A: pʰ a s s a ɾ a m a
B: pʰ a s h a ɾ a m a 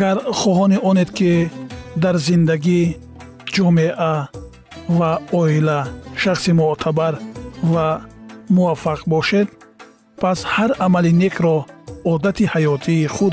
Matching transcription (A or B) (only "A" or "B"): B